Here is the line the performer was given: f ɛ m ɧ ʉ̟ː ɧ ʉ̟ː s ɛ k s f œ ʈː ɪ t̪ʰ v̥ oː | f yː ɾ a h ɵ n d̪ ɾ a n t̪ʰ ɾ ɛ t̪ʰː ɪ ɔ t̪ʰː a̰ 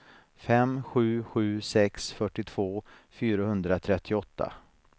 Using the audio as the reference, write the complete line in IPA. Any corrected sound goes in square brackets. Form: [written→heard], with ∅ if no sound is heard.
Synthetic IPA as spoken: f ɛ m ɧ ʉ̟ː ɧ ʉ̟ː s ɛ k s f œ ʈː ɪ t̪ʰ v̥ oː | f yː ɾ a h ɵ n d̪ ɾ a [n→∅] t̪ʰ ɾ ɛ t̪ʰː ɪ ɔ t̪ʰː a̰